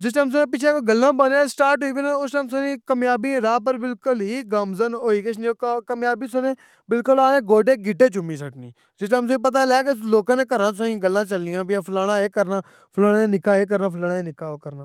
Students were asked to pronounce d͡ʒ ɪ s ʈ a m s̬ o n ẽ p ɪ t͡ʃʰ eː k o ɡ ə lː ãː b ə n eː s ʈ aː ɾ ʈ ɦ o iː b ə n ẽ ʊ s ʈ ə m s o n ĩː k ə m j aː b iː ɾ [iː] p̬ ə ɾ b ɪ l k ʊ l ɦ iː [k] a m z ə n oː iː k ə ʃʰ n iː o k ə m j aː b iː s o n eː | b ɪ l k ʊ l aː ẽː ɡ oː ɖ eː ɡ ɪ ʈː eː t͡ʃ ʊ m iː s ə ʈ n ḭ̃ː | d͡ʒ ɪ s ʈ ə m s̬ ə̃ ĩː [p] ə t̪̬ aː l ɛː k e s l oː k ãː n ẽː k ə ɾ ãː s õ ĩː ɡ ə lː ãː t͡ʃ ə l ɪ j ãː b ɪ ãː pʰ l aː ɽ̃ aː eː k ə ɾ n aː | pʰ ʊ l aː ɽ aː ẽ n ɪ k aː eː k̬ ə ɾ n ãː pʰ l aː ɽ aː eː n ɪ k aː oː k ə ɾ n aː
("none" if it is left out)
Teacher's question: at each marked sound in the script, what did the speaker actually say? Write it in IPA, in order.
aː, ɡ, p

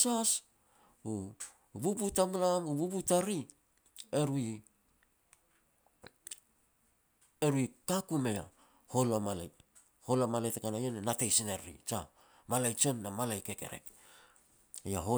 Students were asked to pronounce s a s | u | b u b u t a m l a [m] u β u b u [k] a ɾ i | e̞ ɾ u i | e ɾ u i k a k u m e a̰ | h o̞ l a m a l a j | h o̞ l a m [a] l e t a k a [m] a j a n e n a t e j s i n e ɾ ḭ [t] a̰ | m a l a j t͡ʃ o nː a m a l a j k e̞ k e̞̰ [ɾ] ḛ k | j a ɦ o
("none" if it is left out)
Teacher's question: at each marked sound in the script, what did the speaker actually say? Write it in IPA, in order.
m, t, a, n, t͡ʃ, ɾ

